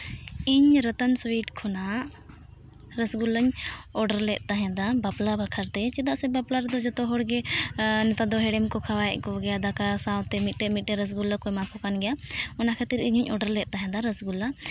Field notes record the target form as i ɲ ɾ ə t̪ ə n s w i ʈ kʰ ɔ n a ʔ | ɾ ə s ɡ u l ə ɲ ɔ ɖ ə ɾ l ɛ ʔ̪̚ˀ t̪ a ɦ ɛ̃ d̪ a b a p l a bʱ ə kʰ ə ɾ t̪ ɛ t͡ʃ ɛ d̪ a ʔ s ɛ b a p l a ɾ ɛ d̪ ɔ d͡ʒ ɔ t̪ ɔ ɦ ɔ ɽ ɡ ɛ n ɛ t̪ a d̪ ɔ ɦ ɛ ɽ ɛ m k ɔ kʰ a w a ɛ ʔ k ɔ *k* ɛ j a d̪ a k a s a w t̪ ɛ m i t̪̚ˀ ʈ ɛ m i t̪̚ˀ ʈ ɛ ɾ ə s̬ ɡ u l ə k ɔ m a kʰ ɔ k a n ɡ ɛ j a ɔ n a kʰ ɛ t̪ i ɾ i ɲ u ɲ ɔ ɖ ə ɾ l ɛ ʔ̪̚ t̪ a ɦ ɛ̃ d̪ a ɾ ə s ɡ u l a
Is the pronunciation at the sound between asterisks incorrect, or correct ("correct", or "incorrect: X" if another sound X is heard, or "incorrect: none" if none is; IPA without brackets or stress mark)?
incorrect: ɡ